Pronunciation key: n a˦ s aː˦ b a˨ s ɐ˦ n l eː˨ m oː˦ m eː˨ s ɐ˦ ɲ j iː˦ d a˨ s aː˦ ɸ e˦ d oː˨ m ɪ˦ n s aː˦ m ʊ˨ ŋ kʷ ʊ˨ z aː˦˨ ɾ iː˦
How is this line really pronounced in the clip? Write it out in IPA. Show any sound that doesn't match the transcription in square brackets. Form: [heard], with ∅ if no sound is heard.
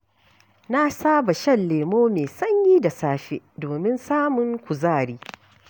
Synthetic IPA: n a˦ s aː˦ b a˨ [ʃ] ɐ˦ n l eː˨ m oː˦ m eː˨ s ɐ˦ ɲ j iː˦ d a˨ s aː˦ ɸ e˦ d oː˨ m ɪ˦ n s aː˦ m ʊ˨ ŋ kʷ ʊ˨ z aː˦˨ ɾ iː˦